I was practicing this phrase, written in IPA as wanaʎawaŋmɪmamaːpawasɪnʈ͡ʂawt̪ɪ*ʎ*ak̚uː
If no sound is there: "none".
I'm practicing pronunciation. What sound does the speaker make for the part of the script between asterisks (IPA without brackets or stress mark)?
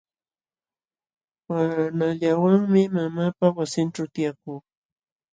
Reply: j